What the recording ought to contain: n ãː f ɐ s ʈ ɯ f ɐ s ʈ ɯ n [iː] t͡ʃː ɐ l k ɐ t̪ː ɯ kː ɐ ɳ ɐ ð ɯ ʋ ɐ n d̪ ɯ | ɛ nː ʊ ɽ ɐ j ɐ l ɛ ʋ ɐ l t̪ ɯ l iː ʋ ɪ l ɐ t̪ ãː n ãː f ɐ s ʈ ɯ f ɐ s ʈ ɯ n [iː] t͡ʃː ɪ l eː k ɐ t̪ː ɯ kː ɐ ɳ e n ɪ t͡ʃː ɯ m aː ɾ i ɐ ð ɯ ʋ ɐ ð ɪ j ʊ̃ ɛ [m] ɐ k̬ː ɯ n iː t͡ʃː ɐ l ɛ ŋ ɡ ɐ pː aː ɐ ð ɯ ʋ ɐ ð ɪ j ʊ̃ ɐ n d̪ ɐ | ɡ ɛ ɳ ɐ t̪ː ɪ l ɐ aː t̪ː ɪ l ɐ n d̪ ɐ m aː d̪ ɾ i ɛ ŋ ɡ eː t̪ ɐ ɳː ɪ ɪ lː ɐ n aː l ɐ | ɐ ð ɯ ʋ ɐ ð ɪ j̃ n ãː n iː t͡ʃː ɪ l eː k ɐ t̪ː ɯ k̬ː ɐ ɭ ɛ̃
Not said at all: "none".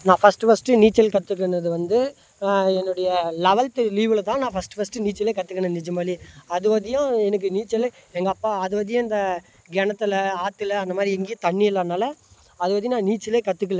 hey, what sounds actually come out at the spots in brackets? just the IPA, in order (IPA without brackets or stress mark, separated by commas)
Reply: iː, iː, n